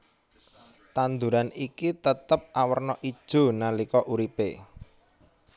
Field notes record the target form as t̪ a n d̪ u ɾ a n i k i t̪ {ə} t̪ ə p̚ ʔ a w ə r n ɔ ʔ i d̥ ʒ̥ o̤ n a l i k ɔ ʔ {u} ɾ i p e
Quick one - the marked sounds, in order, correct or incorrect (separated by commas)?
correct, correct